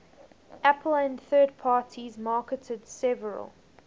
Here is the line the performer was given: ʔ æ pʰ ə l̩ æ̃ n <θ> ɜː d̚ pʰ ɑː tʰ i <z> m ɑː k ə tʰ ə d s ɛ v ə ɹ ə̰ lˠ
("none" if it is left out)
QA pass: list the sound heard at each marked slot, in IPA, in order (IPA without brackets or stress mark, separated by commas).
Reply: θ, z